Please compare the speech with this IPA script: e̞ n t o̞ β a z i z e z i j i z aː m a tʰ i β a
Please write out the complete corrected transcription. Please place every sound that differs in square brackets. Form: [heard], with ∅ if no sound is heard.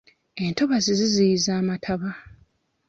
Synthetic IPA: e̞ n t o̞ β a z i z [i] z i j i z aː m a tʰ [a] β a